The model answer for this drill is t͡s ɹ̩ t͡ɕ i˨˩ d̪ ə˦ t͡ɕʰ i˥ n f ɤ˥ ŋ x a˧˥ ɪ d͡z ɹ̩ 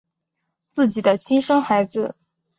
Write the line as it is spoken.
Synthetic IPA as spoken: t͡s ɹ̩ t͡ɕ i˨˩ d̪ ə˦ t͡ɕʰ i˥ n ʂ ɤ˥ ŋ x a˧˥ ɪ d͡z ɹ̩